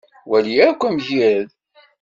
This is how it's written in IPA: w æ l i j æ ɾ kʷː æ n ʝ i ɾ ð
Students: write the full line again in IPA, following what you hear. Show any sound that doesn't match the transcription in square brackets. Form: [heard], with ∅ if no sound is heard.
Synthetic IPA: w æ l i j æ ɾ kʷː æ [m] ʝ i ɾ ð